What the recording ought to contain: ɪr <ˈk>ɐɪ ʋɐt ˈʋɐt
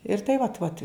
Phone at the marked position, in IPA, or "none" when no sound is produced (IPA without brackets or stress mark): t